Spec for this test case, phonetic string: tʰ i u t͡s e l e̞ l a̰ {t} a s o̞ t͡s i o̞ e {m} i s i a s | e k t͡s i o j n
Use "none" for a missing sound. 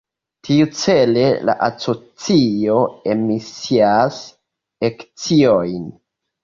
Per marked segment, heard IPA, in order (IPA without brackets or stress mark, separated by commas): ʔ, m